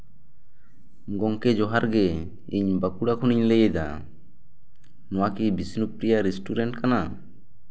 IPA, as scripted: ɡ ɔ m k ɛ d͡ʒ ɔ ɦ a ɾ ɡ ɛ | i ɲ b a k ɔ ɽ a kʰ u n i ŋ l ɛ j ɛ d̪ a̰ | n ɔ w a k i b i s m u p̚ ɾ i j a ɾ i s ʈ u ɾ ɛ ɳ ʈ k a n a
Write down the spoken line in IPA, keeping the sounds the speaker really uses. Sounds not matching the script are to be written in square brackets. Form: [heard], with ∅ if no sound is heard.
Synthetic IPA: ɡ ɔ [ŋ] k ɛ d͡ʒ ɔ ɦ a ɾ ɡ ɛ | i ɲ b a k [u] ɽ a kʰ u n i [ɲ] l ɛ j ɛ d̪ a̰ | n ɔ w a k i b i s [n] u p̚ ɾ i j a ɾ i s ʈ u ɾ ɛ ɳ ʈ k a n a